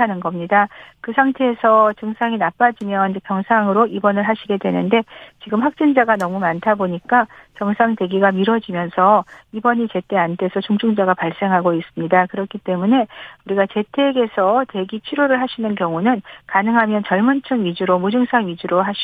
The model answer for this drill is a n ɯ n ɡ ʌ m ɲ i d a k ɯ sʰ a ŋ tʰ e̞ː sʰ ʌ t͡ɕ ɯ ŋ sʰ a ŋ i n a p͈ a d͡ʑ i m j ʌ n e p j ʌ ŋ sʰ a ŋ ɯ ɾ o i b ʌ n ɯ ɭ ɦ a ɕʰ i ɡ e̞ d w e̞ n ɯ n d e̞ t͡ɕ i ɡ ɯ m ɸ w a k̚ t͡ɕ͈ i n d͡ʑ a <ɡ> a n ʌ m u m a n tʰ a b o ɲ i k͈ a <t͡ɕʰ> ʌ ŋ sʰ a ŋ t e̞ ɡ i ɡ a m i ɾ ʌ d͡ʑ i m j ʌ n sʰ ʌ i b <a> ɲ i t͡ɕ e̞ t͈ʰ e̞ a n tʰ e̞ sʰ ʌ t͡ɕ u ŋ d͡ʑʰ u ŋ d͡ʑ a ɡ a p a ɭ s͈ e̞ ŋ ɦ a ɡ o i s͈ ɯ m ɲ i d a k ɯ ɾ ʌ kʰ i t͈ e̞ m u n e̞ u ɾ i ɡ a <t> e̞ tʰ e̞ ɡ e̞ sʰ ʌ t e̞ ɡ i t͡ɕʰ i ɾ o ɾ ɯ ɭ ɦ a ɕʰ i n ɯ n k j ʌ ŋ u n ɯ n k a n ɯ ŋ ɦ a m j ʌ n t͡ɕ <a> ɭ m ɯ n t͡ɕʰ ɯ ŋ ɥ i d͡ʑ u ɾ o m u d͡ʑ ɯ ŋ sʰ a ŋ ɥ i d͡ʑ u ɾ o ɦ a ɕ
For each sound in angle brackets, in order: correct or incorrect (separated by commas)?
correct, incorrect, incorrect, incorrect, incorrect